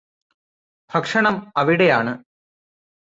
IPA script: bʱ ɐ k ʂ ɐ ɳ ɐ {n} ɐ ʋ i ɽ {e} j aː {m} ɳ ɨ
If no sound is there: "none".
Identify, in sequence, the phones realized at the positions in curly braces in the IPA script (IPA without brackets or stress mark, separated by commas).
m, e, none